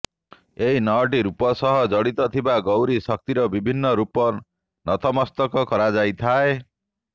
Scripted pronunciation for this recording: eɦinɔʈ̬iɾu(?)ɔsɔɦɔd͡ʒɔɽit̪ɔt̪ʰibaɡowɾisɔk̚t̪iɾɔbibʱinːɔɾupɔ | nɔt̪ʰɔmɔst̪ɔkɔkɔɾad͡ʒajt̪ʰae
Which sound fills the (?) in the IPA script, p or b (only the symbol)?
p